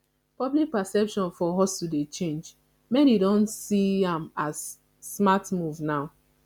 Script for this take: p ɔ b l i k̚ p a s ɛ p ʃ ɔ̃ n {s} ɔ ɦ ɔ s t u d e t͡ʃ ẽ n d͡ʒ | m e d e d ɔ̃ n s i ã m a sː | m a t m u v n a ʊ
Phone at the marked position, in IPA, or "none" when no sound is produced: f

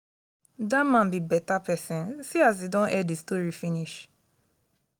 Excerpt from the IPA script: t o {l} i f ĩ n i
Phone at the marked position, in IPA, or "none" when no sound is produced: ɹ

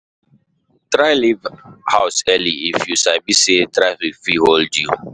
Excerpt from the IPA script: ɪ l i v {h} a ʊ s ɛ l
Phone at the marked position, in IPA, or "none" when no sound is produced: h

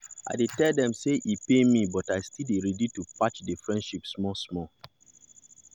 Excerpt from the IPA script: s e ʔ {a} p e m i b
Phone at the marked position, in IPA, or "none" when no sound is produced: i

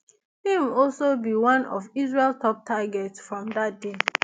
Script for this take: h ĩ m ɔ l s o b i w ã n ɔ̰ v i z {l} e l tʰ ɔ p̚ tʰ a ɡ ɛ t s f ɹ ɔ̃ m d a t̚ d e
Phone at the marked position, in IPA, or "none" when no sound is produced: ɹ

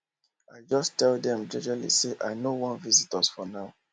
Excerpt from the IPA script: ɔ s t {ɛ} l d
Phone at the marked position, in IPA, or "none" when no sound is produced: ɛ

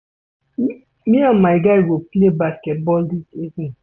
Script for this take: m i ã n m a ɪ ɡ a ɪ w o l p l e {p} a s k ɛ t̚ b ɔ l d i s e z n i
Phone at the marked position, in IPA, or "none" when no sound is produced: b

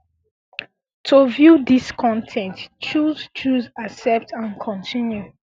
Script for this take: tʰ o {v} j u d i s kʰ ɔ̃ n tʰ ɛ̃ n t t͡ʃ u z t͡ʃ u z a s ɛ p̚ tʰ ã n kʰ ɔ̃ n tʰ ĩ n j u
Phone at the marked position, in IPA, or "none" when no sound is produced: v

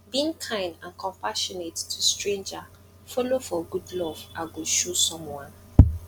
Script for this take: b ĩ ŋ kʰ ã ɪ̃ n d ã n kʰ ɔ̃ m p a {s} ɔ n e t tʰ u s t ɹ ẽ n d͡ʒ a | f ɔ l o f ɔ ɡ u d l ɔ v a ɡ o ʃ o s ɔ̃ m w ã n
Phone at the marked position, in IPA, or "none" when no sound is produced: ʃ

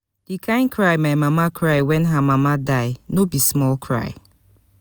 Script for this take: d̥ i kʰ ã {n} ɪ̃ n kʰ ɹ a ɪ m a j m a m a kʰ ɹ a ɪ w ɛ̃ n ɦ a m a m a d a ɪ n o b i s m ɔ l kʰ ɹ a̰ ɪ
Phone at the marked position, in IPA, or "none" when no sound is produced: none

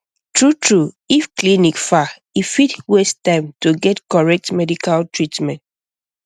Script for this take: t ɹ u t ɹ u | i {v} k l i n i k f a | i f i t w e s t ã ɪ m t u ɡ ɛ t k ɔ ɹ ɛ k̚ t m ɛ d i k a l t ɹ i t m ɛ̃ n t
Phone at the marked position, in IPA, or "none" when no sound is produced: f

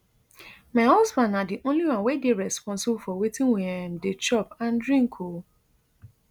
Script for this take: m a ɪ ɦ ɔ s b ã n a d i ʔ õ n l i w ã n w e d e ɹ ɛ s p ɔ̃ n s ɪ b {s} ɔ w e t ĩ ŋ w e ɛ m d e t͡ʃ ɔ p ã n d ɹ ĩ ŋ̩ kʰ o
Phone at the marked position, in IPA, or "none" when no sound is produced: f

